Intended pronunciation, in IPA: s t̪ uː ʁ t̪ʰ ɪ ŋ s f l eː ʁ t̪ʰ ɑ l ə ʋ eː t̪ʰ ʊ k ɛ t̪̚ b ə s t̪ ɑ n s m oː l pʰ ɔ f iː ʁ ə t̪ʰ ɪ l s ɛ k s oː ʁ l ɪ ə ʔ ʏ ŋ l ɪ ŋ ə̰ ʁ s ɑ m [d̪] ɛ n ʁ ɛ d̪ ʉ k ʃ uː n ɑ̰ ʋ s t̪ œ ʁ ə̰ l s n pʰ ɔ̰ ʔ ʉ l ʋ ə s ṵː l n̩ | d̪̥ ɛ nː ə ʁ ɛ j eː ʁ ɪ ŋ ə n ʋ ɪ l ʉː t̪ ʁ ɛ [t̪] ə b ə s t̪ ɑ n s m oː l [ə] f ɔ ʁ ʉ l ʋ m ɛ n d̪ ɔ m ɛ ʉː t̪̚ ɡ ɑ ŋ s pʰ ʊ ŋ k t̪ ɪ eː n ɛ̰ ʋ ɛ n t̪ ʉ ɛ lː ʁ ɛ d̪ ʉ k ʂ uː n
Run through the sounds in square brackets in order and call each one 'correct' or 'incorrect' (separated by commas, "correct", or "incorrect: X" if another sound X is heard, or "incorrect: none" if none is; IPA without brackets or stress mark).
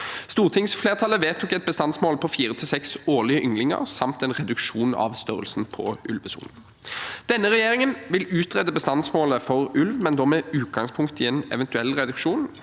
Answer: incorrect: t̪, incorrect: d̪, correct